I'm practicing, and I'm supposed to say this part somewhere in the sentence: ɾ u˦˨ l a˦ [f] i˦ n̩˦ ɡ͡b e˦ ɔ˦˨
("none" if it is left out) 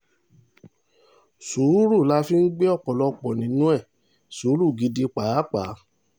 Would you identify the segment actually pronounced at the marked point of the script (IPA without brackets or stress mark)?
f